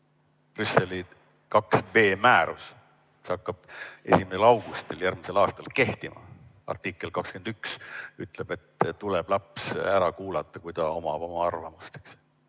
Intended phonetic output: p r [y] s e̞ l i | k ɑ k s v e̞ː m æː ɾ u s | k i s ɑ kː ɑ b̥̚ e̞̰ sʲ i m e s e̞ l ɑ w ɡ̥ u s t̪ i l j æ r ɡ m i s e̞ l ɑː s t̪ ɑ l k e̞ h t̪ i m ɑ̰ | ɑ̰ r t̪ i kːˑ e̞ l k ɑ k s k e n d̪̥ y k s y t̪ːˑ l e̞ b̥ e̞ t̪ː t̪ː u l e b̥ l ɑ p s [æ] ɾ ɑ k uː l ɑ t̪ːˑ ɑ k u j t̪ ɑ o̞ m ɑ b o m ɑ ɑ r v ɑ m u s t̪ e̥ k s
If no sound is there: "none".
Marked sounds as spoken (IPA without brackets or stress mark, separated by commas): y, æ